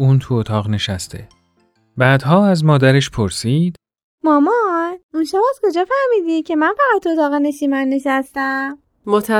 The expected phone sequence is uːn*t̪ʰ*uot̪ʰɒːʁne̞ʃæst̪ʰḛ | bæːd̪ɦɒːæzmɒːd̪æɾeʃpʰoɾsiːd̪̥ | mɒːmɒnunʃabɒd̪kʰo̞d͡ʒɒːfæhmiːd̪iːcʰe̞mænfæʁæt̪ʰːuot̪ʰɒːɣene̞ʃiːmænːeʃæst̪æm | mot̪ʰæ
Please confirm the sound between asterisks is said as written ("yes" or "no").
yes